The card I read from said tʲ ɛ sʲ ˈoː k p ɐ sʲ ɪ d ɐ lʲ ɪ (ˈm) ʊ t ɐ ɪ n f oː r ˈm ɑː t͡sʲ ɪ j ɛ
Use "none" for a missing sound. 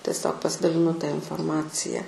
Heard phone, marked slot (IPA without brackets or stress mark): n